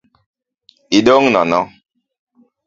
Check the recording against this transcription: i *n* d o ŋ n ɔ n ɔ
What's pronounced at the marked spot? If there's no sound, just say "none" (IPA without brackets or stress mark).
none